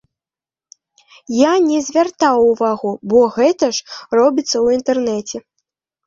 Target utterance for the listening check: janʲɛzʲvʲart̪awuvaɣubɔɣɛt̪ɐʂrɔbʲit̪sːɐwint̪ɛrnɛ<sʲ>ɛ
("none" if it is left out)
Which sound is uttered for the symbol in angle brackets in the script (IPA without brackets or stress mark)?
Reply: t͡sʲ